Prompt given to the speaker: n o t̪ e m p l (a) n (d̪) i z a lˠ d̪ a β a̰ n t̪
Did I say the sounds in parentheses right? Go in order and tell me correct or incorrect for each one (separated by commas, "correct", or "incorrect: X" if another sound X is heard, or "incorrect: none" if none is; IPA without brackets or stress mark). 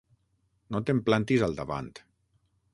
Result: correct, incorrect: t̪